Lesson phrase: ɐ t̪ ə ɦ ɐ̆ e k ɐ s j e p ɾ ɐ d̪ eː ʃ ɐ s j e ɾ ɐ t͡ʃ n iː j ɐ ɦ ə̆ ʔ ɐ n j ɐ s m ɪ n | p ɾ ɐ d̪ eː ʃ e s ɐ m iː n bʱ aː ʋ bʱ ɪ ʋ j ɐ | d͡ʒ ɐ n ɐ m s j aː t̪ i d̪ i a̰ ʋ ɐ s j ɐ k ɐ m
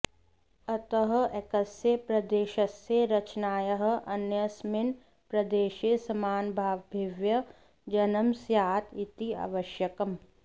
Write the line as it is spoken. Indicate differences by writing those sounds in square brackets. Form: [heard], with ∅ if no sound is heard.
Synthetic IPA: ɐ t̪ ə ɦ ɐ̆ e k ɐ s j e p ɾ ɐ d̪ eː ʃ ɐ s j e ɾ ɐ t͡ʃ n [aː] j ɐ ɦ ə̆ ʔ ɐ n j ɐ s m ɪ n | p ɾ ɐ d̪ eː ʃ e s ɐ m [aː] n bʱ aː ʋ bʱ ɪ ʋ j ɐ | d͡ʒ ɐ n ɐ m s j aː t̪ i [t̪] i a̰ ʋ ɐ [ʃ] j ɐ k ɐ m